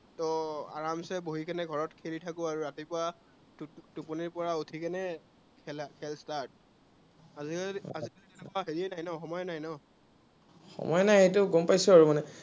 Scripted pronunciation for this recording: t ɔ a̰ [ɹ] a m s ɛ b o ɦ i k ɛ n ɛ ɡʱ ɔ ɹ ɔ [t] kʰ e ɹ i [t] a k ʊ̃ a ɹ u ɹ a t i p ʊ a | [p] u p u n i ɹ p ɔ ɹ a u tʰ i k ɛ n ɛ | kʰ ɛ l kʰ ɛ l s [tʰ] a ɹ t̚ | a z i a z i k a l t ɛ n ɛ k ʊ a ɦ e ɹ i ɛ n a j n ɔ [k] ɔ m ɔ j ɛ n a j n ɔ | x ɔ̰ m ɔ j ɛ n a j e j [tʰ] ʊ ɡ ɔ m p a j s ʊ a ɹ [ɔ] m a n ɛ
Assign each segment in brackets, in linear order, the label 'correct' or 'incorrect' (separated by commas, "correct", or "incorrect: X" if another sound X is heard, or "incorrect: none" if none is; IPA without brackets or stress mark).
correct, correct, incorrect: tʰ, incorrect: t, incorrect: t, incorrect: x, incorrect: t, incorrect: u